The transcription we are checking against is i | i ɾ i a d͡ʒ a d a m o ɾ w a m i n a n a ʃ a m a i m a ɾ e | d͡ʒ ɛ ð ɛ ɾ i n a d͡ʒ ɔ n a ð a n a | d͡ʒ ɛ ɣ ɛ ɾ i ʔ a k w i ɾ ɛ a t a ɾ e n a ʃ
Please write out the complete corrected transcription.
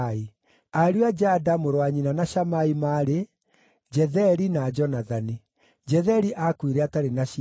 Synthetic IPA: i | a ɾ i a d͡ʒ a d a m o ɾ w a ɲ i n a n a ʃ a m a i m a ɾ e | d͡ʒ ɛ ð ɛ ɾ i n a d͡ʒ ɔ n a ð a n i | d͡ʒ ɛ ð ɛ ɾ i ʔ a k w i ɾ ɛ a t a ɾ e n a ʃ